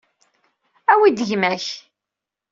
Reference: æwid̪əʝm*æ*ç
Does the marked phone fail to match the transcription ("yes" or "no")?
no